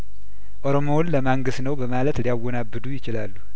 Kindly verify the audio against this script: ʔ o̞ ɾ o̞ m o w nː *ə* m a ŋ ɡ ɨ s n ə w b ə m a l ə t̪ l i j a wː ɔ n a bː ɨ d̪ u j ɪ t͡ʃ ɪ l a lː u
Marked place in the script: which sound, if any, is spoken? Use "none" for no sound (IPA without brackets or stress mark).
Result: ə